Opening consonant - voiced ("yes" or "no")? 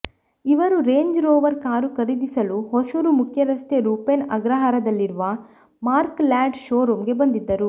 yes